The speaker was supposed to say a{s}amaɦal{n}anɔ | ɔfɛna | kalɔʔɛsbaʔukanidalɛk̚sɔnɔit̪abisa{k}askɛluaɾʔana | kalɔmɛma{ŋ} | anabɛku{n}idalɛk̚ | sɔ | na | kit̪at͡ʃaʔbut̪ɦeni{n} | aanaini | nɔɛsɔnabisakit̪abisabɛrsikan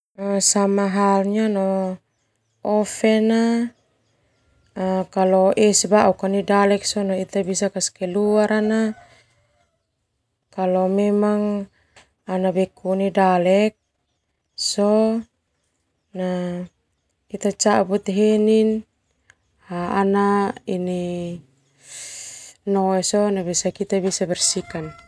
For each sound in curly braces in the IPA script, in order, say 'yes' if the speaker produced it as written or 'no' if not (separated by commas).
yes, no, yes, yes, yes, yes